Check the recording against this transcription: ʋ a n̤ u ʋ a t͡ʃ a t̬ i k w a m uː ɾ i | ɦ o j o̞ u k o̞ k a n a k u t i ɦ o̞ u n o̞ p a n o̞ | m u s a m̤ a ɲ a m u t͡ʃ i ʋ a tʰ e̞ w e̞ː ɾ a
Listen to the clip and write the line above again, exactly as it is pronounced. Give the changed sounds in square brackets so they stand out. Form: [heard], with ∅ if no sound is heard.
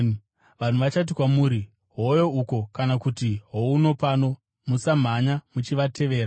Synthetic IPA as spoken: ʋ a n̤ u ʋ a t͡ʃ a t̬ i k w a m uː ɾ i | ɦ o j o̞ u k o̞ k a n a k u t i ɦ o̞ u n o̞ p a n o̞ | m u s a m̤ a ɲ a m u t͡ʃ i ʋ a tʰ e̞ [ʋ] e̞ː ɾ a